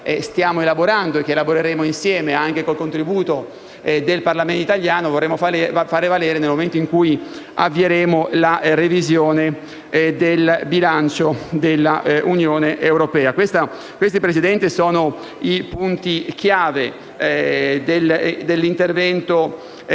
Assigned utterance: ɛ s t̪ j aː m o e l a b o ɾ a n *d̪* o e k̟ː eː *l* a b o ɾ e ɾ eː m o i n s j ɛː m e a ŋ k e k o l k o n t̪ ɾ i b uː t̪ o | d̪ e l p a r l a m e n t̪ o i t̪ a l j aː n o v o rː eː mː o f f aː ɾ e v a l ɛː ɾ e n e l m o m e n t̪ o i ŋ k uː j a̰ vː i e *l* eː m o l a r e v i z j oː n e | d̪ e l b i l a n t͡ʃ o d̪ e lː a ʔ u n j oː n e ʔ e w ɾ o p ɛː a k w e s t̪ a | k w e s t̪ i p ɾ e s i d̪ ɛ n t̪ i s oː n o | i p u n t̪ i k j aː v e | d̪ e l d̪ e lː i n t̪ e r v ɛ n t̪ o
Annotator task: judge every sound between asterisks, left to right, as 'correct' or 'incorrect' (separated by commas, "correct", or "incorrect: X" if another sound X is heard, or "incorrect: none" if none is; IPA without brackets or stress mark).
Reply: correct, correct, incorrect: ɾ